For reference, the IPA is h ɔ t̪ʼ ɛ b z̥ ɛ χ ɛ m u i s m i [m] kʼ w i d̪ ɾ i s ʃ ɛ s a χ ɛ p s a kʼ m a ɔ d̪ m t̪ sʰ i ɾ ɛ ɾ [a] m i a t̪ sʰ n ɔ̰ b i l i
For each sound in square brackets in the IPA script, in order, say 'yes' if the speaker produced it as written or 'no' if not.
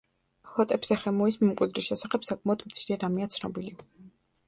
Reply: yes, yes

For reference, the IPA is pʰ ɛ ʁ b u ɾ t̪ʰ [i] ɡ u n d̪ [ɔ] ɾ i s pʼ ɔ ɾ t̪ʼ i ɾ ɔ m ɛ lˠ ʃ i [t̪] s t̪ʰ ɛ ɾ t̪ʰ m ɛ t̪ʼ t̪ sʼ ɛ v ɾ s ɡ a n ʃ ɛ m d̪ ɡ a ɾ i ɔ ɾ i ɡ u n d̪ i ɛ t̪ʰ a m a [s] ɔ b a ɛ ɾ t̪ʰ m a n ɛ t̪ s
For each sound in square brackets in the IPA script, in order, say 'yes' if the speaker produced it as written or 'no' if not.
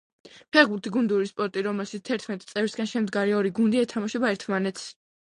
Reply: yes, no, yes, no

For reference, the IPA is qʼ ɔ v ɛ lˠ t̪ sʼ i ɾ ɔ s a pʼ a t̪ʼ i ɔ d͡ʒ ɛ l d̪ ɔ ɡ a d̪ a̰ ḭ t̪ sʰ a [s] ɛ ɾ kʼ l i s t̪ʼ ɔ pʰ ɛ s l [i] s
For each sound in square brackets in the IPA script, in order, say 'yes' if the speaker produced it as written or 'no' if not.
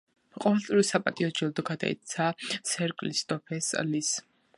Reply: yes, yes

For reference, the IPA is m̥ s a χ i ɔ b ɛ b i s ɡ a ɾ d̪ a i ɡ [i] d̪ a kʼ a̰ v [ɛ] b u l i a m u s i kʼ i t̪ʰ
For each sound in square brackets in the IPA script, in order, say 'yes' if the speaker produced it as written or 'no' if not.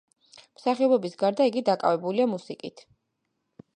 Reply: yes, yes

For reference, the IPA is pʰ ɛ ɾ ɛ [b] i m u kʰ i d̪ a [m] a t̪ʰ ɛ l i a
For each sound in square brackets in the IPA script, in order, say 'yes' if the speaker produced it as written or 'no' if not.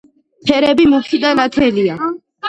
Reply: yes, no

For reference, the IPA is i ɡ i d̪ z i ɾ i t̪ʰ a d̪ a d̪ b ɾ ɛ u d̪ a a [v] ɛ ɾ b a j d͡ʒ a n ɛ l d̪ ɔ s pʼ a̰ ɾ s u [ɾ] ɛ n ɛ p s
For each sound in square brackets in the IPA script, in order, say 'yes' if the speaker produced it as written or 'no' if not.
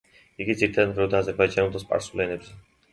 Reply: no, no

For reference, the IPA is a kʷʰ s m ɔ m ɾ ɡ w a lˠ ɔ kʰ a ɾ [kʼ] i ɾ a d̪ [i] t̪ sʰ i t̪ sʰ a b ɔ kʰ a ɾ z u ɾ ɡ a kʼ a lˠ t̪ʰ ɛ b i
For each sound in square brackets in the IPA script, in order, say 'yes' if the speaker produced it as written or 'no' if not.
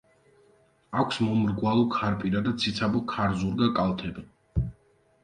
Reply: no, no

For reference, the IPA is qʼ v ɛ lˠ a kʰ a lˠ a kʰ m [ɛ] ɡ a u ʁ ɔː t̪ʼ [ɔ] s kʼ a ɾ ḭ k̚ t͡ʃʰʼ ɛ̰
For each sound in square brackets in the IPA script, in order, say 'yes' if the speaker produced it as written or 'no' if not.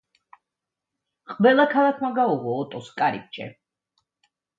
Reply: no, yes

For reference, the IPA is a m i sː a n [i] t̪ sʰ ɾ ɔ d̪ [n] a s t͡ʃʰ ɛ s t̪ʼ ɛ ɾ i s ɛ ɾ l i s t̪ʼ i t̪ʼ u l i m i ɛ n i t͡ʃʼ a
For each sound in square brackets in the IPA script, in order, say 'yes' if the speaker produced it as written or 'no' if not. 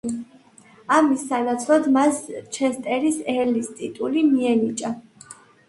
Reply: no, no

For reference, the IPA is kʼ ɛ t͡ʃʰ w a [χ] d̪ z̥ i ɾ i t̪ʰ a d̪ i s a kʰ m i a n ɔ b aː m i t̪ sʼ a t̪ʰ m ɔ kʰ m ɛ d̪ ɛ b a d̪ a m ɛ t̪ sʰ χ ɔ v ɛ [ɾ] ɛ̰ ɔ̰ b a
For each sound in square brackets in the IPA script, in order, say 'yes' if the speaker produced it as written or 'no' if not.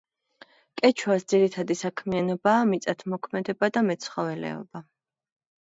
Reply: no, no

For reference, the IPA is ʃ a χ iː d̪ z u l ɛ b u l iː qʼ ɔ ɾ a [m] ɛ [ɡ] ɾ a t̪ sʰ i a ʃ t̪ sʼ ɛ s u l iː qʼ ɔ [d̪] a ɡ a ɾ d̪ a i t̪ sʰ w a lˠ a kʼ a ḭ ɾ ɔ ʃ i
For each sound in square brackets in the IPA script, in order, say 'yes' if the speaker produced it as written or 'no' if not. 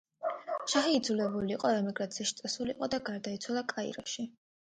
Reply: yes, yes, yes

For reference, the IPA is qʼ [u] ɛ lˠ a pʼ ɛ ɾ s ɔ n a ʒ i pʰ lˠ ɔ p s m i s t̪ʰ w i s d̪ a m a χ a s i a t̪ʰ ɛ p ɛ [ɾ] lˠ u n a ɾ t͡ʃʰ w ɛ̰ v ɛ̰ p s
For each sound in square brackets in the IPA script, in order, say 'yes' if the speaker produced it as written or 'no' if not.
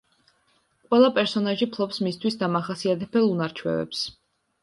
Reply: no, no

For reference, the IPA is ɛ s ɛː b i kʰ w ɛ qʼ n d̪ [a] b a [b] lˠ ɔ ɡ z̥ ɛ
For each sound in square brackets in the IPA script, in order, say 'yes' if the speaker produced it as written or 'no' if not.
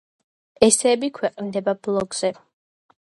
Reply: no, yes

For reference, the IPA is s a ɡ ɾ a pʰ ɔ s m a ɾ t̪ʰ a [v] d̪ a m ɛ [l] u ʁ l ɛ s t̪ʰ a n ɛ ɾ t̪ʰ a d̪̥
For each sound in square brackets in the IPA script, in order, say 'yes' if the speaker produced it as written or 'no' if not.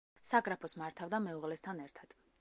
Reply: yes, no

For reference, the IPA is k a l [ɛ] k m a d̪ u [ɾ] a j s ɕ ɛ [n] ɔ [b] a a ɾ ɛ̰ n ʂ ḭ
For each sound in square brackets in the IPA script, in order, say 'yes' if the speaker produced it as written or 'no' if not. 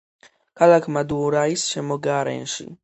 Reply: no, yes, no, no

